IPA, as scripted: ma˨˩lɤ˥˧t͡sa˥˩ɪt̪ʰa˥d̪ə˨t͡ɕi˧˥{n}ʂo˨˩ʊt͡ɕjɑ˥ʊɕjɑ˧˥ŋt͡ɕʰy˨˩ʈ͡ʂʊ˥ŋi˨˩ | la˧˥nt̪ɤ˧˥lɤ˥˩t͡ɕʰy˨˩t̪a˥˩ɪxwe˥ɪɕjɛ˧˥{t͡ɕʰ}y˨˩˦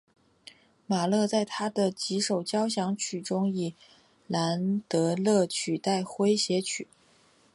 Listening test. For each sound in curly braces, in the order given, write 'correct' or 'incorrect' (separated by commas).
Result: incorrect, correct